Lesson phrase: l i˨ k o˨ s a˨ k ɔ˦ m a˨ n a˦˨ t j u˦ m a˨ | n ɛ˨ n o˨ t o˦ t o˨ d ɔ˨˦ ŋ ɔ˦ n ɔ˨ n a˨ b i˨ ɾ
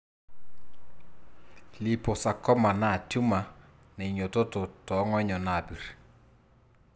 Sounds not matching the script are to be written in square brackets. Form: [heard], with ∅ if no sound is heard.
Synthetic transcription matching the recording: l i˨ [p] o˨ s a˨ k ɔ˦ m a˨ n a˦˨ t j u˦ m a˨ | n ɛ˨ [ɲ] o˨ t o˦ t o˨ [t] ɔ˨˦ ŋ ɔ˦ [ɲ] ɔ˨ n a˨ b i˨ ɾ

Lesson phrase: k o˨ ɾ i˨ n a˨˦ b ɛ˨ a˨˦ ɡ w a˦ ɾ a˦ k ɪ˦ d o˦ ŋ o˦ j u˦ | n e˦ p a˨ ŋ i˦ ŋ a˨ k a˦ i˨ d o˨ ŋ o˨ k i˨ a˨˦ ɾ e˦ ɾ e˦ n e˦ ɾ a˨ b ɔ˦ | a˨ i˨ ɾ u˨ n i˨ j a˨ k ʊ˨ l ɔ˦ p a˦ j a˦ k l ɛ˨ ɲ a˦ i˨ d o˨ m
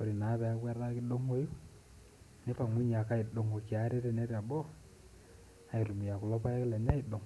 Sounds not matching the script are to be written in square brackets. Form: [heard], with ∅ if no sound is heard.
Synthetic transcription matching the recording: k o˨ ɾ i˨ n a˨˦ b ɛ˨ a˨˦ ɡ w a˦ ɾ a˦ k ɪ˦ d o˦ ŋ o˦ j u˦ | n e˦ p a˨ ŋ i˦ [ɲ] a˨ k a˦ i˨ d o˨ ŋ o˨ k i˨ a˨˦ ɾ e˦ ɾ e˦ n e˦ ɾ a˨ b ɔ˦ | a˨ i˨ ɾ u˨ [m] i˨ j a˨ k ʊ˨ l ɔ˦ p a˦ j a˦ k l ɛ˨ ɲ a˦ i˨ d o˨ [ŋ]

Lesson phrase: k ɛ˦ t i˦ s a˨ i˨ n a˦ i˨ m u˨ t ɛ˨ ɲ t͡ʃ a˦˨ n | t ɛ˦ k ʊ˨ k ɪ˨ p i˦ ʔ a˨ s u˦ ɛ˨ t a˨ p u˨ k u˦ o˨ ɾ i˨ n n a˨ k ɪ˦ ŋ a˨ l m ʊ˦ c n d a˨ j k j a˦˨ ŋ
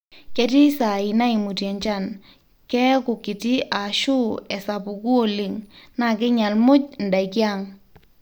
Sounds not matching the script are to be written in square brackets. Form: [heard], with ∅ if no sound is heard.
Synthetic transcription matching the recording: k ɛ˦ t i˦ s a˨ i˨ n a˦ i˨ m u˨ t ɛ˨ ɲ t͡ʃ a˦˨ n | [k] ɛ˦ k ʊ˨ k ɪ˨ [t] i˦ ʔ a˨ [ʃ] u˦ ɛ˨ [s] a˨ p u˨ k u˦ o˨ [l] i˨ [ŋ] n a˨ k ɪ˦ [ɲ] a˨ l m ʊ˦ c n d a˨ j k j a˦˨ ŋ

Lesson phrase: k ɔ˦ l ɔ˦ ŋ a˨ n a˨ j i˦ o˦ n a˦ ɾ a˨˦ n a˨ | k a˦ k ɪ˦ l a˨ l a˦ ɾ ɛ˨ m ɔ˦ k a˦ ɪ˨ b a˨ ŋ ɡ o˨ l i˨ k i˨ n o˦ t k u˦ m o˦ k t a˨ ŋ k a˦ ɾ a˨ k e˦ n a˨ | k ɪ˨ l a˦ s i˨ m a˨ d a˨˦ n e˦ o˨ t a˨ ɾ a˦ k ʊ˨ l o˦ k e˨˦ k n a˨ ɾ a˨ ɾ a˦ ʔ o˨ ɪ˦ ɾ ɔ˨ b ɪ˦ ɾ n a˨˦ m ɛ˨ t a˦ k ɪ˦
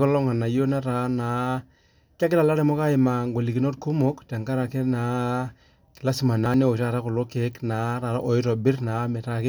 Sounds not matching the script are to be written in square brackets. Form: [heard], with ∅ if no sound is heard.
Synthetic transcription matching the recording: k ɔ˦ l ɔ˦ ŋ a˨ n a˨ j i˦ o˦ n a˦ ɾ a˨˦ n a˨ | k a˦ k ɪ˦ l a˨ l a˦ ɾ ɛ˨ m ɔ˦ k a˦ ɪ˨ [m] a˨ ŋ ɡ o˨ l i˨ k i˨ n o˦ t k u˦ m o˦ k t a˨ ŋ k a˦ ɾ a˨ k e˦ n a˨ | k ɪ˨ l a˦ s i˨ m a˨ [n] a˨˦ n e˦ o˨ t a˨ ɾ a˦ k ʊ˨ l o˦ k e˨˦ k n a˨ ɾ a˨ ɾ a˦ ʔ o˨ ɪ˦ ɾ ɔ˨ b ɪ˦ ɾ n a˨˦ m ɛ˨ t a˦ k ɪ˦

